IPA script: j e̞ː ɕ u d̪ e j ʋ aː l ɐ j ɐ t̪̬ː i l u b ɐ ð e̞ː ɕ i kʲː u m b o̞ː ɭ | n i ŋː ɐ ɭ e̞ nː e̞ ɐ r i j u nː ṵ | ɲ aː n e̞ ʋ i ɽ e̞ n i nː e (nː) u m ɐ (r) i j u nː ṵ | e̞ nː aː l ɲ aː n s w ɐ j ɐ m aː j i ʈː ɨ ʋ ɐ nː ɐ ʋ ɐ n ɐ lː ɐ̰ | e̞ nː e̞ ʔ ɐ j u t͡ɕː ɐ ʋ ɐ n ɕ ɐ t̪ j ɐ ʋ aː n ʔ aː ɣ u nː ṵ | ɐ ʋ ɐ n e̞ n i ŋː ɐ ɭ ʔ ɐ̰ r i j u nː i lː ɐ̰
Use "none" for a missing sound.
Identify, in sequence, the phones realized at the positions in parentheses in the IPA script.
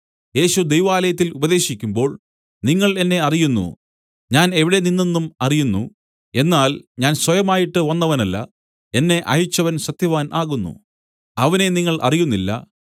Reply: nː, r

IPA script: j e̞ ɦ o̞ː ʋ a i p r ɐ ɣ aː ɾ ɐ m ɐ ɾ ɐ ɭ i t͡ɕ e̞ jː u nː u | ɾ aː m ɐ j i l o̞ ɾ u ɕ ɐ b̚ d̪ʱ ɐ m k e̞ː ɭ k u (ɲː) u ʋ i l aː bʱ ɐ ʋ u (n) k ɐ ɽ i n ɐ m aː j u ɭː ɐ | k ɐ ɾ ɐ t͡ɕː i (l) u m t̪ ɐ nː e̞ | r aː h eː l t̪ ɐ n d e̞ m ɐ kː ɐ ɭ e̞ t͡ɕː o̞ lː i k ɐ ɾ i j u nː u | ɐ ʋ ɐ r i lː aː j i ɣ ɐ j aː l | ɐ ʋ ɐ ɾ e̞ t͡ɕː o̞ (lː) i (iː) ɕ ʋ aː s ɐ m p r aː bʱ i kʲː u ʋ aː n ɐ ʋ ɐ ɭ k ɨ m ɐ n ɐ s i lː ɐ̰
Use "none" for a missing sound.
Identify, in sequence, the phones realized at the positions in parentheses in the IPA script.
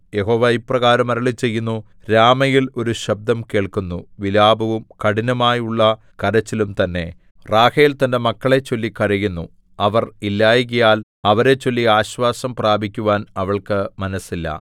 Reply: nː, m, l, lː, aː

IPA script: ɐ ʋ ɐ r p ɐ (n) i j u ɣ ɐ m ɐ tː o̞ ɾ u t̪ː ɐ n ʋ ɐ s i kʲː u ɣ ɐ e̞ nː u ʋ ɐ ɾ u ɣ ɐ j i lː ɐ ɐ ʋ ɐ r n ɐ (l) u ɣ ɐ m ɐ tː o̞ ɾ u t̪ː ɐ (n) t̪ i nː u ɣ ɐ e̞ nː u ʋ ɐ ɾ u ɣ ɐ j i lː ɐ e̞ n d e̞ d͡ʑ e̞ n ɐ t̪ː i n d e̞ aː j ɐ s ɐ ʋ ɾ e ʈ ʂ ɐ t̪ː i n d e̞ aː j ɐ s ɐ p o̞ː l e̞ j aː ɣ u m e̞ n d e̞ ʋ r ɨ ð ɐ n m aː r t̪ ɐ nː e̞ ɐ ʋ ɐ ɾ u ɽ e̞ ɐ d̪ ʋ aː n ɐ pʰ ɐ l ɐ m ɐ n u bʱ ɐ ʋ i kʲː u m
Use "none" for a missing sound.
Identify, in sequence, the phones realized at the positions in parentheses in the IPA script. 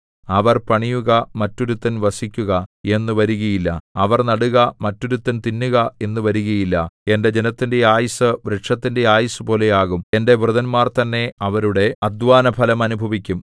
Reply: ɳ, ɽ, n

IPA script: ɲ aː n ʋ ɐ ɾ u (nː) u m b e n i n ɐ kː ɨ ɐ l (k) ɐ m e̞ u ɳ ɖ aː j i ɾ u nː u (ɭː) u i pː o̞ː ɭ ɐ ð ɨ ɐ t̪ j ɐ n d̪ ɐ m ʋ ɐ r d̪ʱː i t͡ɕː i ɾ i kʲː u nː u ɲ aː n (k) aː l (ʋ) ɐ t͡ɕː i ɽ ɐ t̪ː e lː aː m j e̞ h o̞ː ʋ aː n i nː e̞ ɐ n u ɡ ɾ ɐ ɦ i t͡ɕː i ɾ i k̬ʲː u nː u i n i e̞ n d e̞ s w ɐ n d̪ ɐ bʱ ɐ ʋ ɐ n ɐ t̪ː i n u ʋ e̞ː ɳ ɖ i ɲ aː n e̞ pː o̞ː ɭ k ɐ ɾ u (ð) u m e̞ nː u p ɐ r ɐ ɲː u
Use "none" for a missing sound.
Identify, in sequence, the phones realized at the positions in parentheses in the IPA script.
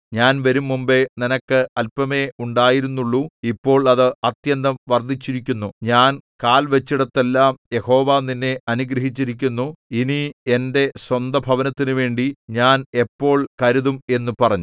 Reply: mː, p, ɭː, k, ʋ, ð

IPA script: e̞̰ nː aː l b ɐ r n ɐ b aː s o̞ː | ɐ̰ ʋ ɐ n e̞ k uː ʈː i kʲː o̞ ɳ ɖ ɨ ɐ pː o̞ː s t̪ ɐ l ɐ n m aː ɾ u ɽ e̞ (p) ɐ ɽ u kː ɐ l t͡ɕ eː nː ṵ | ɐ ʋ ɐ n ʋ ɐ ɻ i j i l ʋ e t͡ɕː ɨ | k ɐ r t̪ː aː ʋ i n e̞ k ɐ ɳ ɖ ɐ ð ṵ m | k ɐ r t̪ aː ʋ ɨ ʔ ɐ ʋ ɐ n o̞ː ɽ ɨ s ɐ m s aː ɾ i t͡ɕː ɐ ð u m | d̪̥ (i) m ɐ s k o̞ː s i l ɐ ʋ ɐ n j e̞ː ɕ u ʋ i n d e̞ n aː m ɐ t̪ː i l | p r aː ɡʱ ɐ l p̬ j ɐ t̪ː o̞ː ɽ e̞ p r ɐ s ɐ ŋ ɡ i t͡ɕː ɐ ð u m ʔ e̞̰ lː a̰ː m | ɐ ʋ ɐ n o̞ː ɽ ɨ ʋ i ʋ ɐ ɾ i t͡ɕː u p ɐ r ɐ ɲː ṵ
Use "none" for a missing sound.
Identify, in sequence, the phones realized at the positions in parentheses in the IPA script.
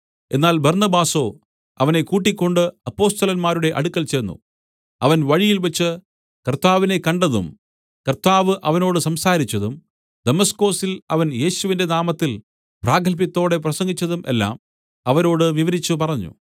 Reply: ʔ, e

